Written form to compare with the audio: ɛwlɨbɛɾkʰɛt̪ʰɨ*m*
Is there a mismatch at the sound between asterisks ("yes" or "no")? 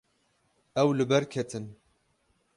yes